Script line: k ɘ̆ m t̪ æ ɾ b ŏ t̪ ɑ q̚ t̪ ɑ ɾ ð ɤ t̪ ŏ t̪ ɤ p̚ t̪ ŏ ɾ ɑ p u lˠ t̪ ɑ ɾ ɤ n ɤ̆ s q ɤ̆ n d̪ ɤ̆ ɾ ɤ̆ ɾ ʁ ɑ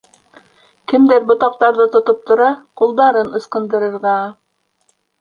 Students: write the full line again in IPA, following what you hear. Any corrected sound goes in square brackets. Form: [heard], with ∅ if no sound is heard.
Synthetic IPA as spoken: k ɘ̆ m [d̪] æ ɾ b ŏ t̪ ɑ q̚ t̪ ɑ ɾ ð ɤ t̪ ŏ t̪ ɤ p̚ t̪ ŏ ɾ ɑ [q] u lˠ [d̪] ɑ ɾ ɤ n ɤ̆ s q ɤ̆ n d̪ ɤ̆ ɾ ɤ̆ ɾ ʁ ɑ